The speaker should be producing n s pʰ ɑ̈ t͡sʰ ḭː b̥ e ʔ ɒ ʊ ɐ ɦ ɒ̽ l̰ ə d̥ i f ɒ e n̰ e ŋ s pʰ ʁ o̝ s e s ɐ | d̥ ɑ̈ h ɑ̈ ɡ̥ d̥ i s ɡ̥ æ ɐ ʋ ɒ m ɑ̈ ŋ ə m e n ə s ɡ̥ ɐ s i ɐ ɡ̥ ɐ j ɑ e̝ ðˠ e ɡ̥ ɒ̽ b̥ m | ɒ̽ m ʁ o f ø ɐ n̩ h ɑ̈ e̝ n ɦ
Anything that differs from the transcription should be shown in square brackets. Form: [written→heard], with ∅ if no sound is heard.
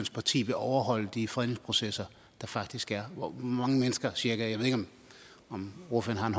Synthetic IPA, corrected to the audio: n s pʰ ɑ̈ t͡sʰ ḭː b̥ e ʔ ɒ ʊ ɐ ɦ ɒ̽ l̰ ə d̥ i f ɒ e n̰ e ŋ s pʰ ʁ o̝ s e s ɐ | d̥ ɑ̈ [h→f] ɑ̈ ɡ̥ d̥ i s ɡ̥ æ ɐ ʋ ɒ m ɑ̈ ŋ ə m e n ə s ɡ̥ ɐ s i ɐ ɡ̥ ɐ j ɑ e̝ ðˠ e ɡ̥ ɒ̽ [b̥→∅] m | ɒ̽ m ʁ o f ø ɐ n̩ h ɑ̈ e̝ n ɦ